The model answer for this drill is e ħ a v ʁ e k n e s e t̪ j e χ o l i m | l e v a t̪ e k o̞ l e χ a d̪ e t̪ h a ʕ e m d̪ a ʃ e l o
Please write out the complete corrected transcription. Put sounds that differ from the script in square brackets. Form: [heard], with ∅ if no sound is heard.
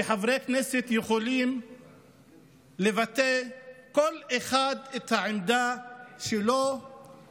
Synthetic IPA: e ħ a v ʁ e k n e s e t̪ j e χ o l i m | l e v a t̪ e k o̞ l e χ a d̪ e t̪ h a ʕ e m d̪ a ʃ e l o